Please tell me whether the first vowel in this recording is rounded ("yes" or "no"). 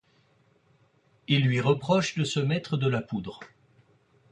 no